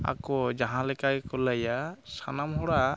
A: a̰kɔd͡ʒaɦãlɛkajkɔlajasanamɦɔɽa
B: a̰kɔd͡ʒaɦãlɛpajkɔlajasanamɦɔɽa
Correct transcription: A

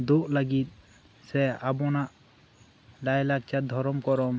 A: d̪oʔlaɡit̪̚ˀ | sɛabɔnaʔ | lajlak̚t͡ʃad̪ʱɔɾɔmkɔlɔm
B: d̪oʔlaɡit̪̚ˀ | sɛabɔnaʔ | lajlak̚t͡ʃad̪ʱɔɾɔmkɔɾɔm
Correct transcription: B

